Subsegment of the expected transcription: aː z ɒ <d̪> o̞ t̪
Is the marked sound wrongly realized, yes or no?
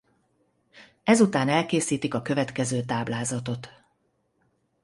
yes